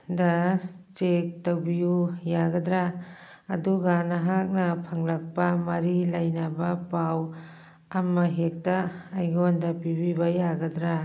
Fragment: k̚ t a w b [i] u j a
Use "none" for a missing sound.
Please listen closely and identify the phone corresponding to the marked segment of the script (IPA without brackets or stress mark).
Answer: i